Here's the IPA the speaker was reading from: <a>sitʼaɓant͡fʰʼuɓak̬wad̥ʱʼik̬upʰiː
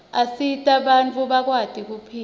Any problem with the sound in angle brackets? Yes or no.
no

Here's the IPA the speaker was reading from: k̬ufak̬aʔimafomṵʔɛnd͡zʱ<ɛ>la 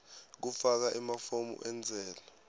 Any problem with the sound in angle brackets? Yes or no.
yes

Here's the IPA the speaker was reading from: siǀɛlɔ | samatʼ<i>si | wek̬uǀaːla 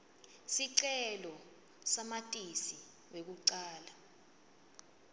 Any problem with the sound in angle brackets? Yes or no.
no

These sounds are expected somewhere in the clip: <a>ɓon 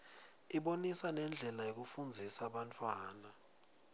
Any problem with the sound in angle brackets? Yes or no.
yes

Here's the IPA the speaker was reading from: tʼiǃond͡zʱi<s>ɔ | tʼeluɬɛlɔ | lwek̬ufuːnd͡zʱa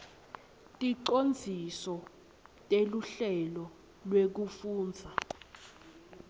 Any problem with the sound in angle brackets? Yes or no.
no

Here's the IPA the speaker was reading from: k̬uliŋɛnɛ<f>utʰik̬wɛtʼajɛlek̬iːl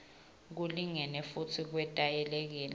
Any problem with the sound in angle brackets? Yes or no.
no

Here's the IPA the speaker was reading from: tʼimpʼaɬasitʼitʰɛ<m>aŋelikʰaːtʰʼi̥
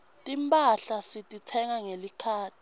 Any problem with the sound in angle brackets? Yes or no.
yes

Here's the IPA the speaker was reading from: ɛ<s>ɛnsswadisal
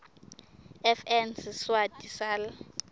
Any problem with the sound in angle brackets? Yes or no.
yes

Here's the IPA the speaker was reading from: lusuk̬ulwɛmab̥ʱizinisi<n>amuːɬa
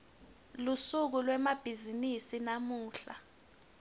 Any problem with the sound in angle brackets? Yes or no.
no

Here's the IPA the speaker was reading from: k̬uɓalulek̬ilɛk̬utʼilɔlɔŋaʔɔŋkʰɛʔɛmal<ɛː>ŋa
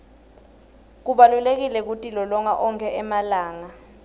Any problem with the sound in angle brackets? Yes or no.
yes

